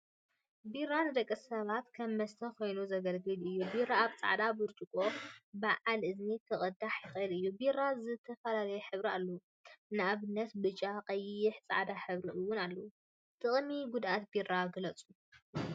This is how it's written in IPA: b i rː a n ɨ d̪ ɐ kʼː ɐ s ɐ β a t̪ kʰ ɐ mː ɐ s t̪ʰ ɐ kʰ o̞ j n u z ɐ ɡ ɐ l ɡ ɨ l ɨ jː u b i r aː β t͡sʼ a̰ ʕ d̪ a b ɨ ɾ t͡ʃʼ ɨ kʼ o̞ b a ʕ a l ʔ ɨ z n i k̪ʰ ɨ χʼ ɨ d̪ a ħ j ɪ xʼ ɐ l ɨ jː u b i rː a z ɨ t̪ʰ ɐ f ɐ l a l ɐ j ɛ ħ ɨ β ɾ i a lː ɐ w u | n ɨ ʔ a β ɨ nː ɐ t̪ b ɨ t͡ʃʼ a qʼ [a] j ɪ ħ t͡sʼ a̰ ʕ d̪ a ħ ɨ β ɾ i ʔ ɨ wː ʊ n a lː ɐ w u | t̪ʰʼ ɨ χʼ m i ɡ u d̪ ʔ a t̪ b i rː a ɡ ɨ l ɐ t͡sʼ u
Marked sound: incorrect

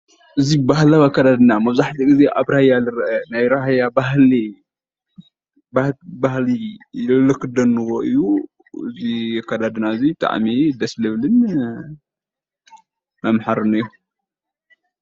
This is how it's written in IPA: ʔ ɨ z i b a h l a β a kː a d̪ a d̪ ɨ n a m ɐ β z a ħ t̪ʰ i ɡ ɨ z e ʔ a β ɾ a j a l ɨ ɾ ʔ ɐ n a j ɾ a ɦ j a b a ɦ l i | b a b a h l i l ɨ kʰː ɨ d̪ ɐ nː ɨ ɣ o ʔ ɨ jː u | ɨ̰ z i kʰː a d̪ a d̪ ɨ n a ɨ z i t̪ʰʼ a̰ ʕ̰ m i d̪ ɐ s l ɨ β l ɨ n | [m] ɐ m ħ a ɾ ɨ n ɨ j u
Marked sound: correct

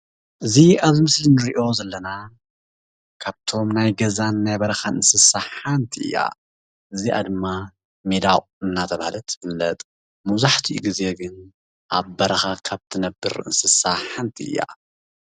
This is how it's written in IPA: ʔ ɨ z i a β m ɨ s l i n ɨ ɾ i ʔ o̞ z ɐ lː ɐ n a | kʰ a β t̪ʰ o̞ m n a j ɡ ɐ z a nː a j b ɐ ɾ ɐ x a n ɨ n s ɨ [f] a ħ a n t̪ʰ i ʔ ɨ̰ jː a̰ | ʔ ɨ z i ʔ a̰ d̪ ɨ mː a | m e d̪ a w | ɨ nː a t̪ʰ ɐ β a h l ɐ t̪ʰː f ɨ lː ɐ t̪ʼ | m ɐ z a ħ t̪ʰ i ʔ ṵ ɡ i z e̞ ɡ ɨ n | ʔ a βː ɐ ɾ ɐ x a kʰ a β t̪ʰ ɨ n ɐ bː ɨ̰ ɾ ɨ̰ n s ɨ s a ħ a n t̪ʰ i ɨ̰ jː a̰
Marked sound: incorrect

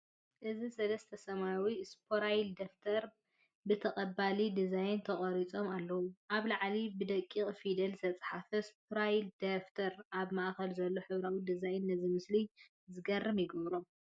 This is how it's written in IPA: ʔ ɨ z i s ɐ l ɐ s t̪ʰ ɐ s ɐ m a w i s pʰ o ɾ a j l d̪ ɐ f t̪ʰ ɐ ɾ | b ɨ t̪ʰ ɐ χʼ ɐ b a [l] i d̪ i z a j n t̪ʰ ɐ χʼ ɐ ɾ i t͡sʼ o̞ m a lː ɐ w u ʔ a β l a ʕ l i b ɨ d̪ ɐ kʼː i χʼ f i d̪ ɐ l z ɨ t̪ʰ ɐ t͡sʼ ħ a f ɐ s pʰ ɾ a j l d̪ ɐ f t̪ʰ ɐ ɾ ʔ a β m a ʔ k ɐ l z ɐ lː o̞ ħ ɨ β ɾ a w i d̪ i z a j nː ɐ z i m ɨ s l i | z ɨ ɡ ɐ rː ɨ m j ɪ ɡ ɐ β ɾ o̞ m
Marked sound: correct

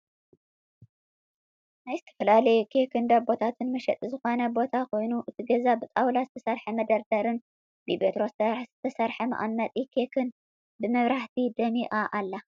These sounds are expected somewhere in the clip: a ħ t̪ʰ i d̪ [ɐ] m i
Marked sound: correct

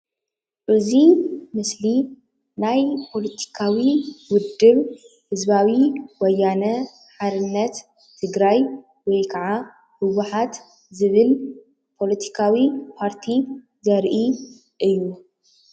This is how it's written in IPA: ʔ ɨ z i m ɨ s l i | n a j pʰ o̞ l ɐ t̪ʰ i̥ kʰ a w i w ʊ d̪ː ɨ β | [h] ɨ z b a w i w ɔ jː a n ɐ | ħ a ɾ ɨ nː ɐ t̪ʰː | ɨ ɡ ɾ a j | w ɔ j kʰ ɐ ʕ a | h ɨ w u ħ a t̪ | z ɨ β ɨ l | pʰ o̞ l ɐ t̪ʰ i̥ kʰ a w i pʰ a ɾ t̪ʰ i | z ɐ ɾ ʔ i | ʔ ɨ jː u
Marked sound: correct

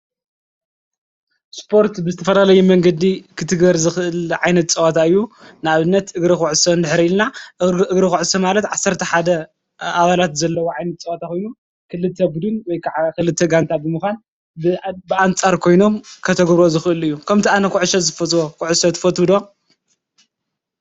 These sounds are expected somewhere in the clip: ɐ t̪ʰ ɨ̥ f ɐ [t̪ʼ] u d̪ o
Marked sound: incorrect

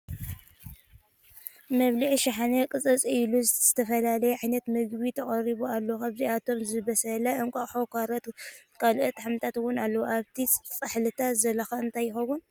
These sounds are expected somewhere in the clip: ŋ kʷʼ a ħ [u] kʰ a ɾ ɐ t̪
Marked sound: incorrect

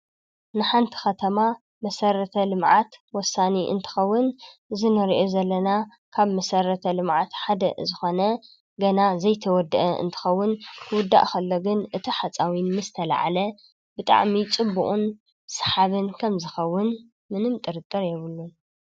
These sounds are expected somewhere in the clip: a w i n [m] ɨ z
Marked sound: correct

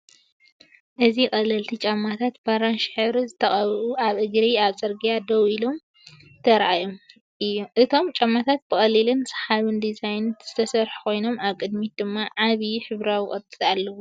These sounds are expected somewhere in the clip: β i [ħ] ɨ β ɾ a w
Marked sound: correct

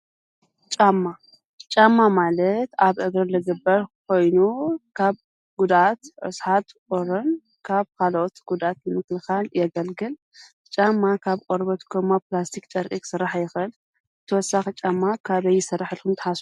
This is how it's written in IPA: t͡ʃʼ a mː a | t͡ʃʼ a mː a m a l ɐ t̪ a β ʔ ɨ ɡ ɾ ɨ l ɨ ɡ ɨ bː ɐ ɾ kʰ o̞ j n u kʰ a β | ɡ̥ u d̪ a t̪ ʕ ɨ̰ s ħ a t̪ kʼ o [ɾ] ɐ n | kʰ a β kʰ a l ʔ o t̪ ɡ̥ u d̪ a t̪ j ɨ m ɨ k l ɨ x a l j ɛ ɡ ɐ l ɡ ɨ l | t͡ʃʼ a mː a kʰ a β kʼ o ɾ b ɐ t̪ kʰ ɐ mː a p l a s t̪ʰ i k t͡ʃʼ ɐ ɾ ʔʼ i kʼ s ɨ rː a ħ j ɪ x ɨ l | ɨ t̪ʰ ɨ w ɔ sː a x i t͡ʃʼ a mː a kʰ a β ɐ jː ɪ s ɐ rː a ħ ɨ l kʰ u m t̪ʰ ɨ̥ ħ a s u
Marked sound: correct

